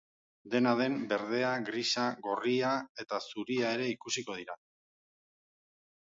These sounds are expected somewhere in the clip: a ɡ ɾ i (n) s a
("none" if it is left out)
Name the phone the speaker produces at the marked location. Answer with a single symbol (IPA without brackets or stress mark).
none